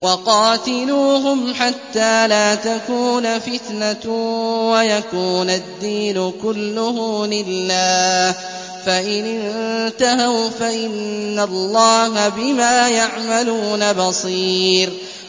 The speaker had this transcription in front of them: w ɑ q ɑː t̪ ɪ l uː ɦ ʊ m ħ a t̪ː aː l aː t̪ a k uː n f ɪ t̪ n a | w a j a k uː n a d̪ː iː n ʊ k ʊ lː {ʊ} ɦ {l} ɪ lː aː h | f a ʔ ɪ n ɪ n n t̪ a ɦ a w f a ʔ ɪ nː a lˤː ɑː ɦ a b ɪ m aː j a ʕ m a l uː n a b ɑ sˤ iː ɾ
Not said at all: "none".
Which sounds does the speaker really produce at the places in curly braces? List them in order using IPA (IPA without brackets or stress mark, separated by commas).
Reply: ʊ, l